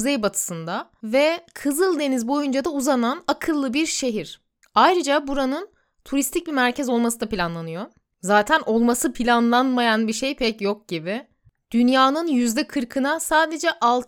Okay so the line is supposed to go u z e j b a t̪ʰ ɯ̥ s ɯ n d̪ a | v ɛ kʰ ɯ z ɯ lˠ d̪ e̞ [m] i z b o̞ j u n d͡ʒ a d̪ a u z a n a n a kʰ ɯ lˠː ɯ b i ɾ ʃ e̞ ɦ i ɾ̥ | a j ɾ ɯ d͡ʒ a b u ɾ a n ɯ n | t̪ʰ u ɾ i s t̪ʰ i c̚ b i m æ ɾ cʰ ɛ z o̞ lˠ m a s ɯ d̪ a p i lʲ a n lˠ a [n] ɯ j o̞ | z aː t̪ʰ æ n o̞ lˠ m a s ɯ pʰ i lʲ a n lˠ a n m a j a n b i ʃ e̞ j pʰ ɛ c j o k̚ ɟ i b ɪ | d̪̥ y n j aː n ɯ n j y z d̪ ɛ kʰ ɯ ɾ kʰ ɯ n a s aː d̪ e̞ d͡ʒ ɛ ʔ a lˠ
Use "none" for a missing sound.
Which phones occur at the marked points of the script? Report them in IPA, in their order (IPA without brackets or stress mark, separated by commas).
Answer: n, n